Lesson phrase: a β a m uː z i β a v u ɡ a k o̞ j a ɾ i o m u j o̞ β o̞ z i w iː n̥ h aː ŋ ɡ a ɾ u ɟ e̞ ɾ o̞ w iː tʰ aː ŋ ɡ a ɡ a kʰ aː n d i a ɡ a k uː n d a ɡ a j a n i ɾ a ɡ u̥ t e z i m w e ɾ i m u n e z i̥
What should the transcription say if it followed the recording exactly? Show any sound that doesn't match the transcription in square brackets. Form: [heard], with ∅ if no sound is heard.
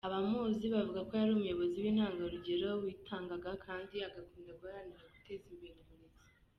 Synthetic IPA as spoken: a β a m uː z i β a v u ɡ a k o̞ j a ɾ i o m u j o̞ β o̞ z i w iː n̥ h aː ŋ ɡ a ɾ u ɟ e̞ ɾ o̞ w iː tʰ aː ŋ ɡ a ɡ a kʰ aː n d i a ɡ a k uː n d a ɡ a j a n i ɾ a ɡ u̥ t e z i m [b] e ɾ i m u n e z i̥